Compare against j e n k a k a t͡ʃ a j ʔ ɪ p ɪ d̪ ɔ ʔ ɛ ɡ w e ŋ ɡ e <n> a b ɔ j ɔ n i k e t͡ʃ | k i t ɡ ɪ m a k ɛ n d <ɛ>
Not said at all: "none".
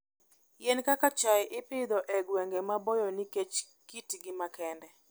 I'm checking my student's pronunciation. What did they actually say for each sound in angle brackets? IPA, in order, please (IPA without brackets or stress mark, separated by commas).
m, ɛ